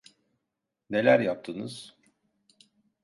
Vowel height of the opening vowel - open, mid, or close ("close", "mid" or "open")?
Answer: mid